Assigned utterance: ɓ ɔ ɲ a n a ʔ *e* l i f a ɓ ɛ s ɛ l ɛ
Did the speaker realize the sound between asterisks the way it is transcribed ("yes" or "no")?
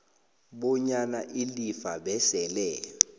no